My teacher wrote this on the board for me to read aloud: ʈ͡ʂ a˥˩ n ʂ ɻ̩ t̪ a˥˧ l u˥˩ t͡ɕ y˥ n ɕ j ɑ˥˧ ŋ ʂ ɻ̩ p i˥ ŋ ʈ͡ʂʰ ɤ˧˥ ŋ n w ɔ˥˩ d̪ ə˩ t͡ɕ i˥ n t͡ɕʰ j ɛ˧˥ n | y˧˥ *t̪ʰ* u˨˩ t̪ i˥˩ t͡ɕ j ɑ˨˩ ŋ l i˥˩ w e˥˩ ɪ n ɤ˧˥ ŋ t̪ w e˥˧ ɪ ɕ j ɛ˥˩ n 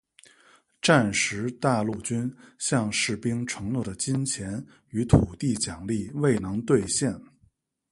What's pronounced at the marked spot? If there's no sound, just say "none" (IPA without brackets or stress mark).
t̪ʰ